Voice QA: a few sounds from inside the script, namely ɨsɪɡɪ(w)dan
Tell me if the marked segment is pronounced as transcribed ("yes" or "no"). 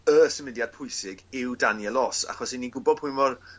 yes